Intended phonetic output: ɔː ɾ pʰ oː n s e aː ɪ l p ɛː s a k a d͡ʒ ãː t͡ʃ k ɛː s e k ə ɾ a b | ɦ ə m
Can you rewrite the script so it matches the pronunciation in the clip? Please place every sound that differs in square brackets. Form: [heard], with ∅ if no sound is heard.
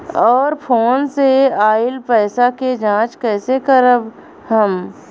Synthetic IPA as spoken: ɔː ɾ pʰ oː n s e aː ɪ l p ɛː s a k [e] d͡ʒ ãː t͡ʃ k ɛː s e k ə ɾ [ə] b | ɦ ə m